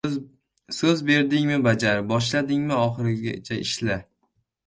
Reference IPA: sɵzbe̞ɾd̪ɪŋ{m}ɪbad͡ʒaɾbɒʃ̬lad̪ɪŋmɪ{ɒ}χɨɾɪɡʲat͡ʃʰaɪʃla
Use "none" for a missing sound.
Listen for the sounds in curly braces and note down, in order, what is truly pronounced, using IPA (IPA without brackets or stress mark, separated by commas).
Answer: m, ɒ